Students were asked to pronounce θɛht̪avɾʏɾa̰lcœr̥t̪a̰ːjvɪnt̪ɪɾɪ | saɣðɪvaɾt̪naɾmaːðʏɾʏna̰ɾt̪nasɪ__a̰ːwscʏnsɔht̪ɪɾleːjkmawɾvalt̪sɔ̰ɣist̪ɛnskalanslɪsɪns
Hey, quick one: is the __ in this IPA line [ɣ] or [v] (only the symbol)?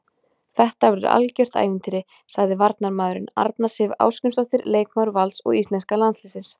v